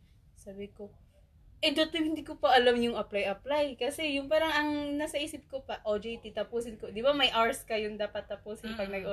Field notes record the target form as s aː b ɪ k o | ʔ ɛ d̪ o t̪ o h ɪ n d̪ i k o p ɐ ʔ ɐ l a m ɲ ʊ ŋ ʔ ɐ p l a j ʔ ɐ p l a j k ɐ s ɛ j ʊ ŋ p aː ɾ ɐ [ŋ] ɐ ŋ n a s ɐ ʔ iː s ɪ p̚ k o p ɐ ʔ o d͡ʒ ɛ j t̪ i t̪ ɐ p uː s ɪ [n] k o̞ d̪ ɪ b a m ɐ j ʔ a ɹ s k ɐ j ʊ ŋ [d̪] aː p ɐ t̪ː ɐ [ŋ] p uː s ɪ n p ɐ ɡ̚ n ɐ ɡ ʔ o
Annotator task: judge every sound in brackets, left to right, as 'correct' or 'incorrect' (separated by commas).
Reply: correct, correct, correct, incorrect